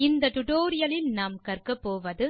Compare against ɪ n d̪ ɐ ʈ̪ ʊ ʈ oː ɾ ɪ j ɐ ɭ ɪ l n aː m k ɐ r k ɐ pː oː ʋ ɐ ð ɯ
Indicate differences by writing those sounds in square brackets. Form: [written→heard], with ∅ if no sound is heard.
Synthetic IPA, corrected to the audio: ɪ n d̪ ɐ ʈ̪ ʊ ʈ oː ɾ ɪ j ɐ [ɭ→l] ɪ l n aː m k ɐ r k ɐ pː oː ʋ ɐ ð ɯ